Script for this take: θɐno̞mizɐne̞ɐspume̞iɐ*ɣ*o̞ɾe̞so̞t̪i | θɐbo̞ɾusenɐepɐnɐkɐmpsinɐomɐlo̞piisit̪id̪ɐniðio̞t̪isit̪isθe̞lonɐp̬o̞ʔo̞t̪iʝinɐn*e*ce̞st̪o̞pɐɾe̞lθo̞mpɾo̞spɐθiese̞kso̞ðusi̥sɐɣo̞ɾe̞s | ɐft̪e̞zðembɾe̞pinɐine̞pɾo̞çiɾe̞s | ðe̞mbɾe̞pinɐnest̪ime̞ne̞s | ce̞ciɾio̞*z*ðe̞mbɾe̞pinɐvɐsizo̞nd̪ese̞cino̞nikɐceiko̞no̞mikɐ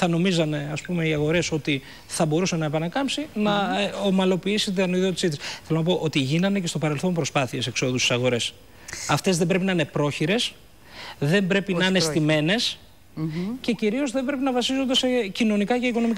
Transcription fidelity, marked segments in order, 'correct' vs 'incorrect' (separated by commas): correct, correct, correct